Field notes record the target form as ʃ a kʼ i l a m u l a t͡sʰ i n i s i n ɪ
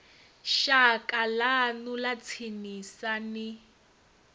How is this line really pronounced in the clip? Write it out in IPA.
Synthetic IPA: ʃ a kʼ a l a n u l a t͡sʰ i n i s a n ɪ

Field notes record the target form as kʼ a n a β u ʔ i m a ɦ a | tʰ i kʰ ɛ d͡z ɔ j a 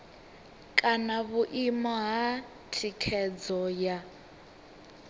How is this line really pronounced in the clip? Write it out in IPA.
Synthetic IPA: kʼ a n a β u ʔ i m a ɦ a | tʰ i kʰ ɛ d͡z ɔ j a

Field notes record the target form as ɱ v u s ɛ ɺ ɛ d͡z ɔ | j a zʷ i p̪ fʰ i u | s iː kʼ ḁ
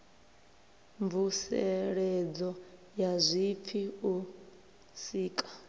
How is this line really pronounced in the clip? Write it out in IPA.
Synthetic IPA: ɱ v u s ɛ ɺ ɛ d͡z ɔ | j a zʷ i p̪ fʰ i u | s iː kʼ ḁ

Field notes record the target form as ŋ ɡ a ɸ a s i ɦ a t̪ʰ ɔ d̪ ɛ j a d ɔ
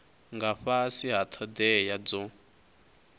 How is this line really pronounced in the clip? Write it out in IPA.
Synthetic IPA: ŋ ɡ a ɸ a s i ɦ a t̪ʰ ɔ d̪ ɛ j a d͡z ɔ

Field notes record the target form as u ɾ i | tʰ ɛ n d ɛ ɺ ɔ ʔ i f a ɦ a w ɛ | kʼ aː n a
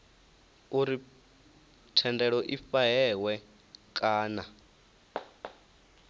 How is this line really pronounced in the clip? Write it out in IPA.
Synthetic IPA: u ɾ i | tʰ ɛ n d ɛ ɺ ɔ ʔ i f a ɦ ɛ w ɛ | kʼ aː n a

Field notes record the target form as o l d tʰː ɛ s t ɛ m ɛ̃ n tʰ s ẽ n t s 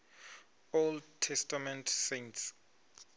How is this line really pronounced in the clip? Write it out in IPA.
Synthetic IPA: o l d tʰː ɛ s t a m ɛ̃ n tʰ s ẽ n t s

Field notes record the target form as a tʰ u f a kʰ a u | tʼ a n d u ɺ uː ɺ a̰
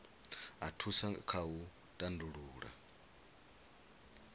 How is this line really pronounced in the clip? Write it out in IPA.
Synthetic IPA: a tʰ u s a kʰ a u | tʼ a n d u ɺ uː ɺ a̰

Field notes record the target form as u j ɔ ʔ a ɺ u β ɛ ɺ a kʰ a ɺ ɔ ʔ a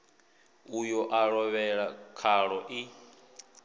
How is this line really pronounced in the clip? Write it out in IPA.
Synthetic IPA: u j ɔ ʔ a ɺ ɔ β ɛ ɺ a kʰ a ɺ ɔ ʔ i

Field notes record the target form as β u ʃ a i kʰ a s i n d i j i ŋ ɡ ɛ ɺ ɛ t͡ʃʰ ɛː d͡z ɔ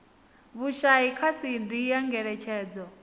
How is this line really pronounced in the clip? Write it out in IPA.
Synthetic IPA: β u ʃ a i kʰ a s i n d i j a ŋ ɡ ɛ ɺ ɛ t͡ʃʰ ɛː d͡z ɔ

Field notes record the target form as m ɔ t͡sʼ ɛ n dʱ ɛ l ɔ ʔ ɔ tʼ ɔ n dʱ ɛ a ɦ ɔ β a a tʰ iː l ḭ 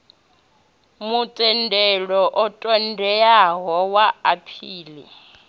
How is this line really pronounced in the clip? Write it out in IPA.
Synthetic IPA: m u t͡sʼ ɛ n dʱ ɛ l ɔ ʔ ɔ tʼ ɔ n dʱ ɛ a ɦ ɔ w a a pʰ iː l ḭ

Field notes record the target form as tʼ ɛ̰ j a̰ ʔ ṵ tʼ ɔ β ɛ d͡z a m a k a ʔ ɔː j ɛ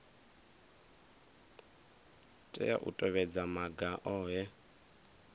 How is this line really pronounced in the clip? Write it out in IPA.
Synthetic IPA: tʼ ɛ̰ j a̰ ʔ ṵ tʼ ɔ β ɛ d͡z a m a ɡ a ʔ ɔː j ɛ

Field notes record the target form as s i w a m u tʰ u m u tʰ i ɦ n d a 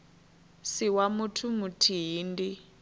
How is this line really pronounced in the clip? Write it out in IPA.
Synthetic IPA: s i w a m u tʰ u m u tʰ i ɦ n d i

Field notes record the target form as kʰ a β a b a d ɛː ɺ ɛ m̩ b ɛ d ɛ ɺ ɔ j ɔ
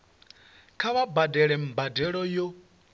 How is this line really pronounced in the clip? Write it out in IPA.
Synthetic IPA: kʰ a β a b a d ɛ ɺ ɛ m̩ b a d ɛ ɺ ɔ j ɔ

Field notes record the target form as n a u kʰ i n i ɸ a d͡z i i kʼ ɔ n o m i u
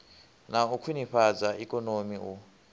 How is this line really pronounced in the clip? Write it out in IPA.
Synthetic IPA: n a u kʰ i n i ɸ a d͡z a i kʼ ɔ n o m i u

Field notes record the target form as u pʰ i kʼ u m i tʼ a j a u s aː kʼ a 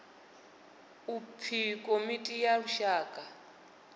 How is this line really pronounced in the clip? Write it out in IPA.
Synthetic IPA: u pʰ i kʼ o m i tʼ i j a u ʃ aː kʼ a

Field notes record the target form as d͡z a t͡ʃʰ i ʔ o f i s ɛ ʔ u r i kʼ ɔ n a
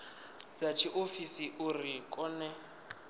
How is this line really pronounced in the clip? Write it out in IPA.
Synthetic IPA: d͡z a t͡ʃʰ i ʔ o f i s i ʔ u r i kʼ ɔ n ɛ

